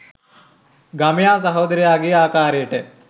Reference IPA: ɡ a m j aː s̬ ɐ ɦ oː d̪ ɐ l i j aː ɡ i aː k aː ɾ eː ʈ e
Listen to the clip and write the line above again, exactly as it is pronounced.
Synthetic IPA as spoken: ɡ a m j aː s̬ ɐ ɦ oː d̪ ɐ ɾ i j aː ɡ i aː k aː ɾ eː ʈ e